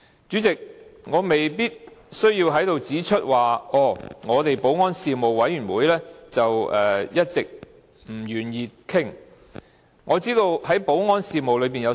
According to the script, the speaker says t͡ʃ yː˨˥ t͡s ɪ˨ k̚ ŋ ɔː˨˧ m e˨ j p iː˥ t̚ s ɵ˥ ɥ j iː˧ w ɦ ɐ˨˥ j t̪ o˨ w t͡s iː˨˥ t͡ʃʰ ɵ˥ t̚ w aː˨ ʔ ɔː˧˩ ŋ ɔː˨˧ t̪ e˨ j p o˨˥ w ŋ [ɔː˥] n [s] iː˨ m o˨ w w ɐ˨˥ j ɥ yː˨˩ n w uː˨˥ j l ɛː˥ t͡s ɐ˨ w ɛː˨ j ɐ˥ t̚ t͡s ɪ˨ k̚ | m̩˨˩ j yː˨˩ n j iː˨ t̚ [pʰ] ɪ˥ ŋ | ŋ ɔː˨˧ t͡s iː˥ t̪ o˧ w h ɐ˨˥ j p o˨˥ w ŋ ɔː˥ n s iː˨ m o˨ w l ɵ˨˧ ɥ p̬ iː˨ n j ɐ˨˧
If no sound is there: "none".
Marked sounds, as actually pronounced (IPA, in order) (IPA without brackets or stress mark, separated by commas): ɔː˥, s, kʰ